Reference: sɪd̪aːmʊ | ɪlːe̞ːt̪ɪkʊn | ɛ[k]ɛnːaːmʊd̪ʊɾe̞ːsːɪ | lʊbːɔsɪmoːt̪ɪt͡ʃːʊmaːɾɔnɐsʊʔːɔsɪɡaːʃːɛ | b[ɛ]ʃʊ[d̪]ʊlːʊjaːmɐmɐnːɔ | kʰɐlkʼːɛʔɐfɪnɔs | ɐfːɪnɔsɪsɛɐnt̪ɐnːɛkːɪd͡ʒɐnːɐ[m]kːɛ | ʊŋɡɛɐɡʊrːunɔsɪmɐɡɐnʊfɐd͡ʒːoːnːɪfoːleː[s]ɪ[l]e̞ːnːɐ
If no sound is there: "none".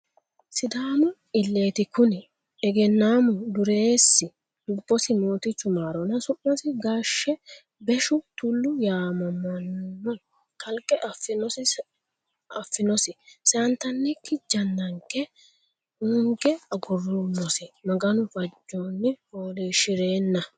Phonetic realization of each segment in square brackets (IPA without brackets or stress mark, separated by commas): ɡ, ɛ, t̪, ŋ, ʃ, ɾ